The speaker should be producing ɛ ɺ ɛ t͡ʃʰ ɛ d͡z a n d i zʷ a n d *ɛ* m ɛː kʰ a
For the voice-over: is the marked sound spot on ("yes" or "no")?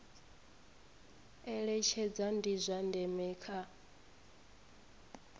yes